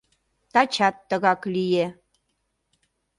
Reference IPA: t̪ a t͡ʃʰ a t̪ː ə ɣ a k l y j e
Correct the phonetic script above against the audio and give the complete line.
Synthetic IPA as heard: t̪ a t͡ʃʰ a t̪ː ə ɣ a k l i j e